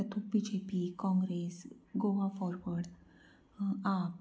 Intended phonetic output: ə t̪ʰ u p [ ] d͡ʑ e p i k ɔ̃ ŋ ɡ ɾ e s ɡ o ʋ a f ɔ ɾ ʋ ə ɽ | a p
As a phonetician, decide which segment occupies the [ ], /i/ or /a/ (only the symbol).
i